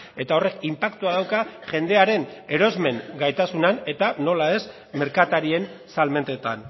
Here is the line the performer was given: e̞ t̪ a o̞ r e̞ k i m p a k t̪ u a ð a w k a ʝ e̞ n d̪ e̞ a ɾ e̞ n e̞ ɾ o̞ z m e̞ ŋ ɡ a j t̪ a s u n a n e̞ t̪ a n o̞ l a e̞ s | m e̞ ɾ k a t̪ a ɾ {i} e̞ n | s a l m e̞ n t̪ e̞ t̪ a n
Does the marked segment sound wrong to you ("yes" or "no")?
no